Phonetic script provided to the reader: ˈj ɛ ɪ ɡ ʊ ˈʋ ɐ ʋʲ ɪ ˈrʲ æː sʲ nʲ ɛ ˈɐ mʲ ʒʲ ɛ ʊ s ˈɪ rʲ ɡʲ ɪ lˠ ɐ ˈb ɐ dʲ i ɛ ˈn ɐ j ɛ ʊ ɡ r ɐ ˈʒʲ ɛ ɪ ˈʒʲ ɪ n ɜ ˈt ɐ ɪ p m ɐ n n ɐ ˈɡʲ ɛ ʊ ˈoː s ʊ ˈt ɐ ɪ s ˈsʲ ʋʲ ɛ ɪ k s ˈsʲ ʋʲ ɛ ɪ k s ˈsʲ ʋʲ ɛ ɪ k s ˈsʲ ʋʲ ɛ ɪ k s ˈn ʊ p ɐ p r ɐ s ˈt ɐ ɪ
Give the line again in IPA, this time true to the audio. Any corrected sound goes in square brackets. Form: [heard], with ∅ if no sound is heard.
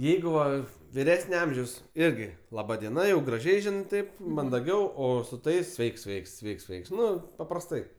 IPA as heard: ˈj ɛ ɪ ɡ ʊ ˈʋ ɐ ʋʲ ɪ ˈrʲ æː sʲ nʲ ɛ ˈɐ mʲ ʒʲ ɛ ʊ s ˈɪ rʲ ɡʲ ɪ lˠ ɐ ˈb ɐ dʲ i ɛ ˈn ɐ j ɛ ʊ ɡ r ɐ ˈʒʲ ɛ ɪ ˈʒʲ ɪ n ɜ ˈt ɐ ɪ p m ɐ n [d] ɐ ˈɡʲ ɛ ʊ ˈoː s ʊ ˈt ɐ ɪ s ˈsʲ ʋʲ ɛ ɪ k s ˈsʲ ʋʲ ɛ ɪ k s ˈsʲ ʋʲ ɛ ɪ k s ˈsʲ ʋʲ ɛ ɪ k s ˈn ʊ p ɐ p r ɐ s ˈt ɐ ɪ